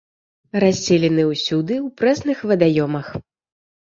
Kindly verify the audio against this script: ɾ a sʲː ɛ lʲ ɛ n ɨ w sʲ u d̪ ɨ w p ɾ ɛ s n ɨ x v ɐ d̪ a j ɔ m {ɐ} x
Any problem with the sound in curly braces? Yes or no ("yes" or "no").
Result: no